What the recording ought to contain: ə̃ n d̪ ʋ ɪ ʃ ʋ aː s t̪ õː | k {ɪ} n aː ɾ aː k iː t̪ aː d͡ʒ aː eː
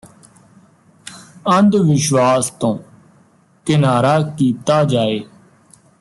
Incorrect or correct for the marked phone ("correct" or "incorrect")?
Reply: correct